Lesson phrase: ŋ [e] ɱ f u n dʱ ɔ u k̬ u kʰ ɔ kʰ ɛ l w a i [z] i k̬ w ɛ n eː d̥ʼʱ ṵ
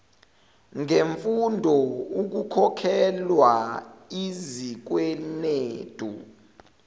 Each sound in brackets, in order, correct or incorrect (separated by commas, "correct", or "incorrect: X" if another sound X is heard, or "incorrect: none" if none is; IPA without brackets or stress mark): correct, correct